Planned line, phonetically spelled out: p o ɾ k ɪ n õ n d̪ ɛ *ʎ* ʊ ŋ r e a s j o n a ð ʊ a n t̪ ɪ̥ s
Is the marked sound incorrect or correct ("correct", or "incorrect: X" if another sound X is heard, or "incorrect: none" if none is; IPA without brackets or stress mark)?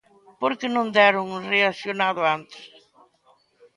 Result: incorrect: ɾ